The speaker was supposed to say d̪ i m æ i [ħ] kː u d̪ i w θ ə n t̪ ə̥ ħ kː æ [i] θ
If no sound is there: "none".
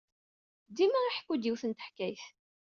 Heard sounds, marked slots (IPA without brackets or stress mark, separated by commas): ħ, j